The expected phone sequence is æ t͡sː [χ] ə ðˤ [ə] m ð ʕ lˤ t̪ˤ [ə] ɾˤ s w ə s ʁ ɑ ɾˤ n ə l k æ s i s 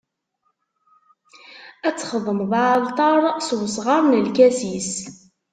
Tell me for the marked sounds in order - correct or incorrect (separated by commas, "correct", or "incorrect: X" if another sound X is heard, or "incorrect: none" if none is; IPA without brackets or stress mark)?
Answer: correct, correct, incorrect: ɑ